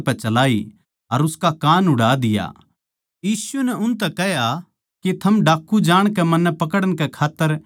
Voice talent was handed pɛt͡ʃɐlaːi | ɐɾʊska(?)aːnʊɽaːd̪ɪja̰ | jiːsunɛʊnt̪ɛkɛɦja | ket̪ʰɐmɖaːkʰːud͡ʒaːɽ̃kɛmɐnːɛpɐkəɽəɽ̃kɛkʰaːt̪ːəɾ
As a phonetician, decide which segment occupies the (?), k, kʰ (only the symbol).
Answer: k